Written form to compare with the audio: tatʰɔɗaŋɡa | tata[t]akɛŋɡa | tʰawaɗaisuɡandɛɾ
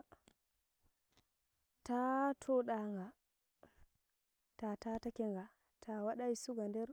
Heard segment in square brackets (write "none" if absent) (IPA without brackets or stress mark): t